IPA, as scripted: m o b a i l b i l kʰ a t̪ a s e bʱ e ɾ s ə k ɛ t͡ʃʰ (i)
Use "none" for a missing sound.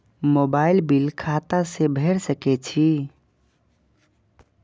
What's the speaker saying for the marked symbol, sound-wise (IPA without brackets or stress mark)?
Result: i